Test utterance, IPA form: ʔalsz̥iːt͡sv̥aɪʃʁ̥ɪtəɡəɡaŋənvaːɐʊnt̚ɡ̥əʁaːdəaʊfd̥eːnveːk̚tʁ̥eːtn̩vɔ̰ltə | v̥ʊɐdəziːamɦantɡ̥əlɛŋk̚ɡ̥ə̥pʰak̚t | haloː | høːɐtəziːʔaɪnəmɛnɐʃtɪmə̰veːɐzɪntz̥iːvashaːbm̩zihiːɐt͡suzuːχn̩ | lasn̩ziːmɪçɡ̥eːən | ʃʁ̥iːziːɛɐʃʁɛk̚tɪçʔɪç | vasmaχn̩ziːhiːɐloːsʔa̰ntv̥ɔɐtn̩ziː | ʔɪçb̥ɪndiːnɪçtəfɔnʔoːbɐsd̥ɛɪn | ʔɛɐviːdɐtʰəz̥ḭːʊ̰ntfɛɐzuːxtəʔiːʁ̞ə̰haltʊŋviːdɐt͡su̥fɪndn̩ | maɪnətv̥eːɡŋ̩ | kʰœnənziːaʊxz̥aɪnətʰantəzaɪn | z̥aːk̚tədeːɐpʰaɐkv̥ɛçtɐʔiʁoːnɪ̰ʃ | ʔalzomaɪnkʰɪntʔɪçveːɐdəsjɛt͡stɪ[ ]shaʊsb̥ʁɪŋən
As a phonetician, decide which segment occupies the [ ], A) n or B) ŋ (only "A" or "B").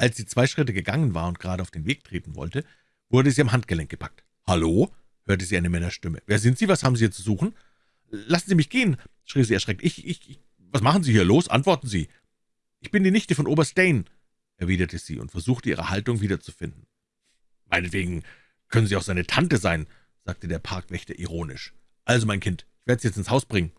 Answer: A